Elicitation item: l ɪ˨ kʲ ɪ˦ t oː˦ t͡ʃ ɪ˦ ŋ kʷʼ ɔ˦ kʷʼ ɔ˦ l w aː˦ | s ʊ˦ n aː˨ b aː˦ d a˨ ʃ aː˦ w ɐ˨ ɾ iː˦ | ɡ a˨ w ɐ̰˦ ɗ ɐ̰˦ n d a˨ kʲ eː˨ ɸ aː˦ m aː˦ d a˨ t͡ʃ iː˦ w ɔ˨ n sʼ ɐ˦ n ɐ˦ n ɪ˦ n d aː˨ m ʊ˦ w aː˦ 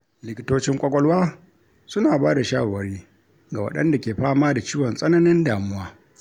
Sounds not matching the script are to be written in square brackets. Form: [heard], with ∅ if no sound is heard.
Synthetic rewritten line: l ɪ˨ kʲ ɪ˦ t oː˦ t͡ʃ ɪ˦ ŋ kʷʼ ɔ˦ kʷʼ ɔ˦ l w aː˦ | s ʊ˦ n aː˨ b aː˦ d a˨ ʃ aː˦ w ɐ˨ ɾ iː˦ | ɡ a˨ w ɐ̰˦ ɗ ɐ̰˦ n d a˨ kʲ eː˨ ɸ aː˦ m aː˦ d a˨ t͡ʃ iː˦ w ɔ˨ n sʼ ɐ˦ n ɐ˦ n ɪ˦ n d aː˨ m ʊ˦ w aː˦